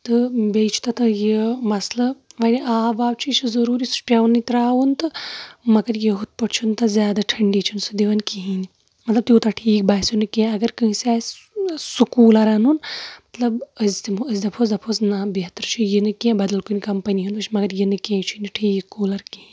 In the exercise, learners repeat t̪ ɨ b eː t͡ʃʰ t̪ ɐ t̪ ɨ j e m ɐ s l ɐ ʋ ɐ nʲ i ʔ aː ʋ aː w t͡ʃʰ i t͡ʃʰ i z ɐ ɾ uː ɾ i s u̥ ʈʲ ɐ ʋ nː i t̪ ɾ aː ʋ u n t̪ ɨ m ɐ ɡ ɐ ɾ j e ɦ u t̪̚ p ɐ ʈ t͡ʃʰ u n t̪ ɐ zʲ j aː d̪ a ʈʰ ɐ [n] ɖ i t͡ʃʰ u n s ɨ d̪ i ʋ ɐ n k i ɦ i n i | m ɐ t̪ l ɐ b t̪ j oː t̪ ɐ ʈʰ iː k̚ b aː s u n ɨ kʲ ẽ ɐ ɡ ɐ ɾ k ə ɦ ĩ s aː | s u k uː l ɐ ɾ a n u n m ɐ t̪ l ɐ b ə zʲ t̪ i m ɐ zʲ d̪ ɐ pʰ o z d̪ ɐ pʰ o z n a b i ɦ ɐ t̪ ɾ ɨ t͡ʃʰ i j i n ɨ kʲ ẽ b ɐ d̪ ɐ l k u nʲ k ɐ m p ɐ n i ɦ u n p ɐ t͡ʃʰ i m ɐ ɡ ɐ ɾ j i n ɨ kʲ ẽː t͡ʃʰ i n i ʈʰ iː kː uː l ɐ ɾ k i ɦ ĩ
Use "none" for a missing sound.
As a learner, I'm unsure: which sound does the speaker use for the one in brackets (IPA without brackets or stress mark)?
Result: ɳ